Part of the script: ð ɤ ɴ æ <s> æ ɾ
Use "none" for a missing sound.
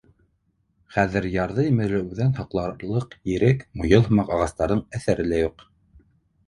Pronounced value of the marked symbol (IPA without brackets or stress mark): θ